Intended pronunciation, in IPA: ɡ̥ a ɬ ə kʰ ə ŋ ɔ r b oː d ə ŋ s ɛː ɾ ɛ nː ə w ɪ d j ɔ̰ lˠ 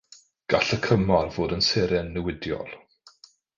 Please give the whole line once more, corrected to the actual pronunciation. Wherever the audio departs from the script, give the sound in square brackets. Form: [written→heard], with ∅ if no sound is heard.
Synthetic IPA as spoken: ɡ̥ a ɬ ə kʰ ə [ŋ→m] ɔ r [b→v] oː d ə [ŋ→n] s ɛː ɾ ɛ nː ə w ɪ d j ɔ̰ lˠ